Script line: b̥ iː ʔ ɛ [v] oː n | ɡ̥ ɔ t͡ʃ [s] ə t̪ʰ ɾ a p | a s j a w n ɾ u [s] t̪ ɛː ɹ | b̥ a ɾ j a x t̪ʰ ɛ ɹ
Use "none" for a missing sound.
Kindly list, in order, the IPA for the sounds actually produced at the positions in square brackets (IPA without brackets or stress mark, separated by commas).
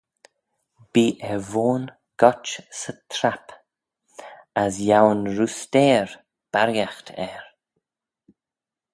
v, s, s